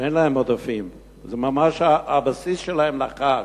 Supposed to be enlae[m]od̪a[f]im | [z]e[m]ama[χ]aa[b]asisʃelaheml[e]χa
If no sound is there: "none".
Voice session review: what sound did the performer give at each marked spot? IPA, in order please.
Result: m, f, z, m, ʃ, b, a

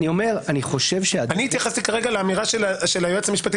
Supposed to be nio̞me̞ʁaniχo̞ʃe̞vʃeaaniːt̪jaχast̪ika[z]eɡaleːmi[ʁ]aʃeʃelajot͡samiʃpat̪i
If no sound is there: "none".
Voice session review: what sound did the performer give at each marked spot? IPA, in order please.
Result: ʁ, ʁ

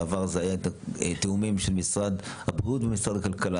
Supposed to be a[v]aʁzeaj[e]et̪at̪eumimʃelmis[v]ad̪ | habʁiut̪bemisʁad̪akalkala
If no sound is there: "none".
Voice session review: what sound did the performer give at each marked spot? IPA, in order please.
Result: v, a, ʁ

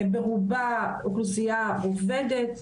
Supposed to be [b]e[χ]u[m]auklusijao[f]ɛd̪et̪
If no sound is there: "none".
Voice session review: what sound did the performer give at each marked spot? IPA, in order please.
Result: b, ʁ, b, v

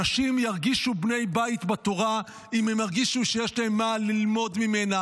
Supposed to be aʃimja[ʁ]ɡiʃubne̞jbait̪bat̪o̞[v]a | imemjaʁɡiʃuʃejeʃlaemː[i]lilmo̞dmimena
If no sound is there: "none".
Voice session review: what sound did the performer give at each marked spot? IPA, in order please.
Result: ʁ, ʁ, a

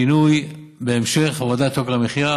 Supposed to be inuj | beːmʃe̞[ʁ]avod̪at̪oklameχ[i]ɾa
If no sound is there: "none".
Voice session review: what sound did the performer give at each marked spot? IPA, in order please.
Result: χ, i

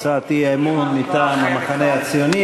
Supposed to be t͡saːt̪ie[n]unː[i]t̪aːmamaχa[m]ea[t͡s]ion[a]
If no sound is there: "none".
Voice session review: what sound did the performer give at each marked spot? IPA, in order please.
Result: m, i, n, t͡s, i

